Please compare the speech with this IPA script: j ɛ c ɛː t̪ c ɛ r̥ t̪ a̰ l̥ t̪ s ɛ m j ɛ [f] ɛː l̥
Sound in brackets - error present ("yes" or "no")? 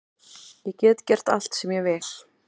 yes